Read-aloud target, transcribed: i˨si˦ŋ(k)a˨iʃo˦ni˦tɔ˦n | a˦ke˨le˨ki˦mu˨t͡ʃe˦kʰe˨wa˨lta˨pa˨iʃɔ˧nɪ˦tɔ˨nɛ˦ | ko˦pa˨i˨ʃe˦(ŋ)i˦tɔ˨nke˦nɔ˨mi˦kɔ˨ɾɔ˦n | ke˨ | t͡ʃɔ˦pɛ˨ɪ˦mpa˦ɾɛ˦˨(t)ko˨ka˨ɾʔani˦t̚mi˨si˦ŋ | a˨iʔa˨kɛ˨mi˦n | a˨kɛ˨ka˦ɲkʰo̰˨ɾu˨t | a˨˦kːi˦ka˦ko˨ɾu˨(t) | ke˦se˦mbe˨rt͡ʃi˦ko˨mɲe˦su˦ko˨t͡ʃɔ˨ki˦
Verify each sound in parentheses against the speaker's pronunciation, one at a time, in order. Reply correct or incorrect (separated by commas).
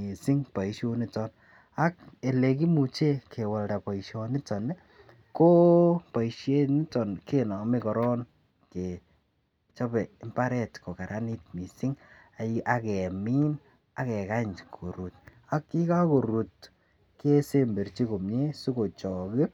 incorrect, incorrect, correct, correct